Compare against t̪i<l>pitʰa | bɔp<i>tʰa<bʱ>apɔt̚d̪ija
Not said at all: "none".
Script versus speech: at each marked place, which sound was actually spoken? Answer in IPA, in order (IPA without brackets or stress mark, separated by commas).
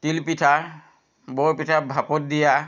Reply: l, i, bʱ